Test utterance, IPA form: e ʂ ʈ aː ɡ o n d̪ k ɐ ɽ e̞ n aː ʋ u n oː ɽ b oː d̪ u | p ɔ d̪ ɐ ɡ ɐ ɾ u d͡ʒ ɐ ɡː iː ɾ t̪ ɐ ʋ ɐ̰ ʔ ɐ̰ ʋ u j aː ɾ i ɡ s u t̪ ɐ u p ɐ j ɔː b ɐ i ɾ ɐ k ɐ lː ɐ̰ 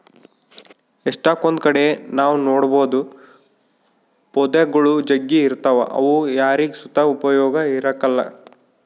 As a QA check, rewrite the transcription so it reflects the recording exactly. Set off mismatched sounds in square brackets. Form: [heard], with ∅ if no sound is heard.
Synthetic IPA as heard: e ʂ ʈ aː [k] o n d̪ k ɐ ɽ e̞ n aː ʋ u n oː ɽ b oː d̪ u | p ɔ d̪ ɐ ɡ ɐ [ɭ] u d͡ʒ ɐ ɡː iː ɾ t̪ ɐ ʋ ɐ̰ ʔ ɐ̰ ʋ u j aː ɾ i ɡ s u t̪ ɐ u p ɐ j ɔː [ɡ] ɐ i ɾ ɐ k ɐ lː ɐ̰